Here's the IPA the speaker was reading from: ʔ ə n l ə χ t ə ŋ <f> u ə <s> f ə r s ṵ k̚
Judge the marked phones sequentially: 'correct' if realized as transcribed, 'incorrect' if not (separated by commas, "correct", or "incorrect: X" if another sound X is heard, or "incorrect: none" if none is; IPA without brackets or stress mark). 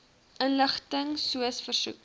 incorrect: s, correct